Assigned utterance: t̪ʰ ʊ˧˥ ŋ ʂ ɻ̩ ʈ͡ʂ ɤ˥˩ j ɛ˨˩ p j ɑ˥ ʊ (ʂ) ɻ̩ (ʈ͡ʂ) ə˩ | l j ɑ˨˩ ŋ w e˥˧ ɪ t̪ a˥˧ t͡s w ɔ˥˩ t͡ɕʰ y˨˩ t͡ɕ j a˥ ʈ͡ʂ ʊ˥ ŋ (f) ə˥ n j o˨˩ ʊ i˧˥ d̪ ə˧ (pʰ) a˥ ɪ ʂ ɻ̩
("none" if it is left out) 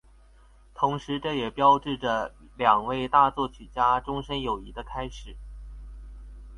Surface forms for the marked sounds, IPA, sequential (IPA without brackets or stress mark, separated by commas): ʈ͡ʂ, ʈ͡ʂ, ʂ, kʰ